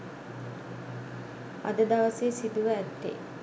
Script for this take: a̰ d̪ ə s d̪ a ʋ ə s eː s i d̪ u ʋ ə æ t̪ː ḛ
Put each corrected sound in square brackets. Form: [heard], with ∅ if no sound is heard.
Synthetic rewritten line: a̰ d̪ ə [∅] d̪ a ʋ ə s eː s i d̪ u ʋ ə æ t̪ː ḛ